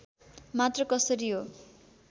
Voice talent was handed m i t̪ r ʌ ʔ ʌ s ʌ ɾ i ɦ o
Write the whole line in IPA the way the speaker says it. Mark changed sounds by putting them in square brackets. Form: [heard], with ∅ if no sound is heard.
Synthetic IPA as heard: m [a] t̪ r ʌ [k] ʌ s ʌ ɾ i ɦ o